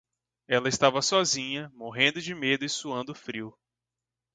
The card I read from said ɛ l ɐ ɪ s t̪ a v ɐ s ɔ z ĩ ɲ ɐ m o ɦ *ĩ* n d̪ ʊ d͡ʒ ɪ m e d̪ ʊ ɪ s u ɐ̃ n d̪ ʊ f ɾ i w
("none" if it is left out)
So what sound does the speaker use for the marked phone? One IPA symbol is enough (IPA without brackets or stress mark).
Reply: ẽ